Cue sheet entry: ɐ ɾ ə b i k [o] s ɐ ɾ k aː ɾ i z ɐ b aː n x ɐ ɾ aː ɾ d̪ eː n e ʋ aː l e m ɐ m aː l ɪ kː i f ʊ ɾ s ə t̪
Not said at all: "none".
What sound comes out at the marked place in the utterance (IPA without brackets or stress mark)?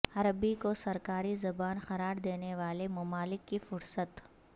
o